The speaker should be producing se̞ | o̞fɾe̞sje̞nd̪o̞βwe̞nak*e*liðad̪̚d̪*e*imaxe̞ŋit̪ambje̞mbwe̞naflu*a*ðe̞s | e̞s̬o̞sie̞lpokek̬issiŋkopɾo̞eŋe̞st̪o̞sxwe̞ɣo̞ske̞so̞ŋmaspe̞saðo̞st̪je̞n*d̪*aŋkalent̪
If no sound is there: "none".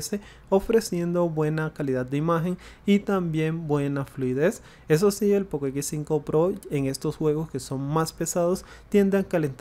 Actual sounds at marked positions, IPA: a, e, i, d̪

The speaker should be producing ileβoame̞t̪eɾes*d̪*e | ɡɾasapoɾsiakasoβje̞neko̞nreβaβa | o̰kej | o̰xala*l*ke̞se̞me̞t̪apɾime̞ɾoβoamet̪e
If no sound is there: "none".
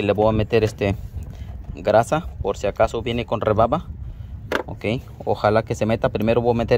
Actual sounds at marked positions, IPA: t̪, none

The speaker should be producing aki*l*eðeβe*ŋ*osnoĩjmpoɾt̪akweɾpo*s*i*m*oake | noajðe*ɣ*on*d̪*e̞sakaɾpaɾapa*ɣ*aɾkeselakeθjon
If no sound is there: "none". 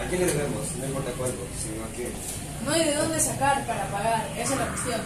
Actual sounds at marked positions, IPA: l, m, s, n, ð, d̪, ɣ

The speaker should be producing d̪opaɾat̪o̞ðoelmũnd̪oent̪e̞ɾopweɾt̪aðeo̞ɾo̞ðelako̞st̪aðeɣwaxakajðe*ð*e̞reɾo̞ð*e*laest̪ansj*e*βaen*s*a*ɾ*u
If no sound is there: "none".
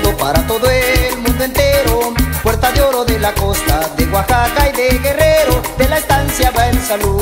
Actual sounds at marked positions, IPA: ɣ, e, a, s, l

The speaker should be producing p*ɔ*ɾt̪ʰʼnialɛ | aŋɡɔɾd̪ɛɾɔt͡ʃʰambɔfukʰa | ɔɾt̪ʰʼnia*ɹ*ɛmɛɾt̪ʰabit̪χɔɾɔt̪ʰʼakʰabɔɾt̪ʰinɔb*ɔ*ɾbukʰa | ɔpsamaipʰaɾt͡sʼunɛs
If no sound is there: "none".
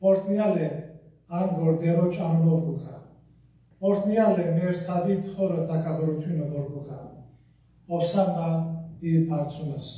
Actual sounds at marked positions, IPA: ɔ, l, ɔ

